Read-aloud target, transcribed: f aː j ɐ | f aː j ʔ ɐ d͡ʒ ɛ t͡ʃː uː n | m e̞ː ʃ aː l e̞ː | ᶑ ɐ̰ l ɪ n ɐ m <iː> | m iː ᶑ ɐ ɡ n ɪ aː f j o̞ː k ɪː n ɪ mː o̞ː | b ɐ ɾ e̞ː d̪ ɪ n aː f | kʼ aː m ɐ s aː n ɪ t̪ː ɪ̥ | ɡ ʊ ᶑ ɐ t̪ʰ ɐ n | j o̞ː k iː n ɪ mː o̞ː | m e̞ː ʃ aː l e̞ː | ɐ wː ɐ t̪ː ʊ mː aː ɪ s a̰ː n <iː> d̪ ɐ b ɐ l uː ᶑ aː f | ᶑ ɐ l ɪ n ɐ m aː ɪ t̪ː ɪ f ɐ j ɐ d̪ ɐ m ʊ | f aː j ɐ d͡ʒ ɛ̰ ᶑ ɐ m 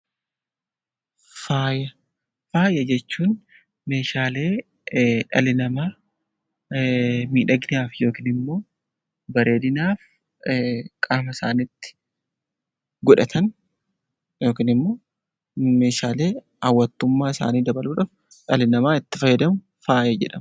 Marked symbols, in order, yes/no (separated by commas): no, yes